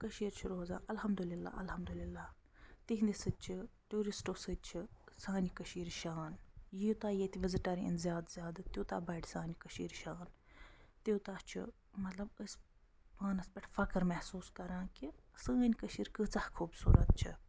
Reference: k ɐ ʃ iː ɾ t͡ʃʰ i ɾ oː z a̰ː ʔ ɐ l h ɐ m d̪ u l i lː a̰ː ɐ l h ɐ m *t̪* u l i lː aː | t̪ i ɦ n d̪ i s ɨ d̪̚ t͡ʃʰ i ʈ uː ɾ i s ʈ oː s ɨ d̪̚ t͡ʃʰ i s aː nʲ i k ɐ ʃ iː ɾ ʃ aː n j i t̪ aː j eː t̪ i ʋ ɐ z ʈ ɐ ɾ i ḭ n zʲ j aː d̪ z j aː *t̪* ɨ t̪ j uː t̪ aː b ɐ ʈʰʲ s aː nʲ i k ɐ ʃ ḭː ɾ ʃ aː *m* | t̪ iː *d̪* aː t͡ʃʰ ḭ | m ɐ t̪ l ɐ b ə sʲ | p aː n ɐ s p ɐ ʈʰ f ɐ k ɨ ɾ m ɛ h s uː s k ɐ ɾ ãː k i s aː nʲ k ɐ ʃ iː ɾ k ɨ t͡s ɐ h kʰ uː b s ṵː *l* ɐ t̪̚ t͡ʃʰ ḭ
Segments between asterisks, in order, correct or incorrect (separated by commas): incorrect, incorrect, incorrect, incorrect, incorrect